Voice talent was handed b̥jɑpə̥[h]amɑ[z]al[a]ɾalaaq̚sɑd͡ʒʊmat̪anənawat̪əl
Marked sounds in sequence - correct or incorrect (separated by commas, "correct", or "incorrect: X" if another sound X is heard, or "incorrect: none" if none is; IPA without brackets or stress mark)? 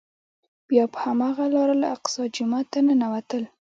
correct, incorrect: ɣ, incorrect: ɑ